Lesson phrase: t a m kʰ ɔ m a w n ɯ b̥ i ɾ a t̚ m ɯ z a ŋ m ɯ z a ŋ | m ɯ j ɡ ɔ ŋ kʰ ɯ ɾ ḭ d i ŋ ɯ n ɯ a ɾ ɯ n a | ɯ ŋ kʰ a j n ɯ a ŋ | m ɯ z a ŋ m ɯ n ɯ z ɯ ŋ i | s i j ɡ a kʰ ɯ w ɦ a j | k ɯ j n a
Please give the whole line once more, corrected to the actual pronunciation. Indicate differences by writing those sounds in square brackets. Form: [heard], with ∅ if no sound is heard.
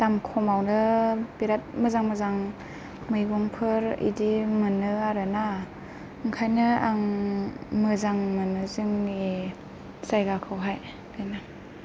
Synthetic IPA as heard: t a m kʰ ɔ m a w n ɯ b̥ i ɾ a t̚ m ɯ z a ŋ m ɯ z a ŋ | m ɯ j ɡ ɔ ŋ [pʰ] ɯ ɾ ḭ d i [m] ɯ n ɯ a ɾ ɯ n a | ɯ ŋ kʰ a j n ɯ a ŋ | m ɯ z a ŋ m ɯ n ɯ z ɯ ŋ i | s [a] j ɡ a kʰ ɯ w ɦ a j | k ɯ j n a